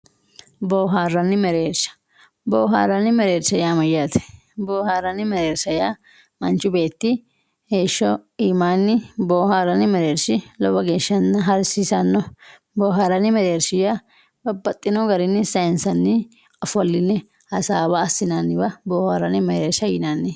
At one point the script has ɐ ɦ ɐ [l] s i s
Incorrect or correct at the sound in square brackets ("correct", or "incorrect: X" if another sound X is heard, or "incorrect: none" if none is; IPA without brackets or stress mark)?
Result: incorrect: ɾ